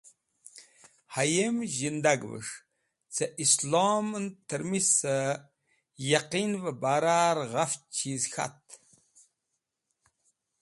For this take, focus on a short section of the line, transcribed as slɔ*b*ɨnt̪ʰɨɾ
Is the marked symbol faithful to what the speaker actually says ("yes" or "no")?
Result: no